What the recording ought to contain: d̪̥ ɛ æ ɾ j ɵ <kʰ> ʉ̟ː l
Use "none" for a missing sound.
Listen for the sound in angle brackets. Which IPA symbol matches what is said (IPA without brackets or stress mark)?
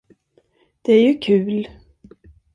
kʰ